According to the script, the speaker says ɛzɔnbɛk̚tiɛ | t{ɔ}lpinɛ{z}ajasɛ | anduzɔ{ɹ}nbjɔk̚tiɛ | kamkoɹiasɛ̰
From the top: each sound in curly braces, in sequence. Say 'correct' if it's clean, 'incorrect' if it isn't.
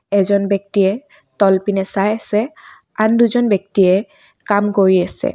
correct, incorrect: s, incorrect: none

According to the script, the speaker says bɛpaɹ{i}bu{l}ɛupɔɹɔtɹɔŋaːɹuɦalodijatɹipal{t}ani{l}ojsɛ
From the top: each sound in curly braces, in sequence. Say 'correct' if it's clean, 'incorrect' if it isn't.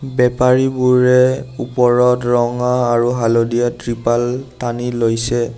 correct, incorrect: ɹ, correct, correct

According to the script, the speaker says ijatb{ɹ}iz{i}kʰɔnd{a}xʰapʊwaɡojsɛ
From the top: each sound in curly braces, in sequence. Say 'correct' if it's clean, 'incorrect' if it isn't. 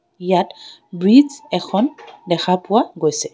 correct, incorrect: ɛ, incorrect: ɛ

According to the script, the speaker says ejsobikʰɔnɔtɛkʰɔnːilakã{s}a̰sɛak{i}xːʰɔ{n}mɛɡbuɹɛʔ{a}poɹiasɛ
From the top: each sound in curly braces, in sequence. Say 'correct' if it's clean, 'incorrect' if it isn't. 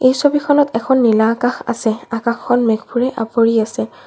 incorrect: x, incorrect: a, correct, correct

